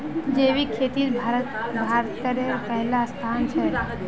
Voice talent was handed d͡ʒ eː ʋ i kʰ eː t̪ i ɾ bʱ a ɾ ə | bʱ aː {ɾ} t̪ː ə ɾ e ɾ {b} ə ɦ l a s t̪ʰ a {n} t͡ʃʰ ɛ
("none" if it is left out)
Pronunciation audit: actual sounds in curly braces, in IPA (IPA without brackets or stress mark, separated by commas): ɾ, p, n